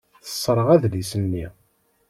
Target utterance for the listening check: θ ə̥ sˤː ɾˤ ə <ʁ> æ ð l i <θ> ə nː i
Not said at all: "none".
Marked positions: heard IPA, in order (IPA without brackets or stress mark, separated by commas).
ʁ, s